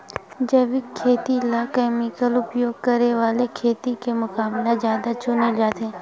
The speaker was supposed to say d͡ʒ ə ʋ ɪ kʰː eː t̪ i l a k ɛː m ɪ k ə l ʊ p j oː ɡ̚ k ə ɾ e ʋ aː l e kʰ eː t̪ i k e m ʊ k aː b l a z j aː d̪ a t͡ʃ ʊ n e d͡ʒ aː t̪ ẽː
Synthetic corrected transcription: d͡ʒ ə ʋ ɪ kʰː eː t̪ i l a k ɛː m ɪ k ə l ʊ p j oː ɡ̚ k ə ɾ e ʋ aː l e kʰ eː t̪ i k e m ʊ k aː b l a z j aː d̪ a t͡ʃ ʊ n e d͡ʒ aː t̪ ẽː